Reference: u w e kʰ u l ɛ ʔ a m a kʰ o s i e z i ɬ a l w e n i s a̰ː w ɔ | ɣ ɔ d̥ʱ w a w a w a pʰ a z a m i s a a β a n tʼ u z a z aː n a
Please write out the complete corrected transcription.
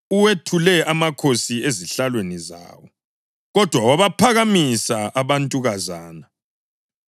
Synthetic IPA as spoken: u w e tʰ u l ɛ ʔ a m a kʰ o s i e z i ɬ a l w e n i z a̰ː w ɔ | ɣ ɔ d̥ʱ w a w a β a pʰ a ɣ a m i s a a β a n tʼ u ɣ a z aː n a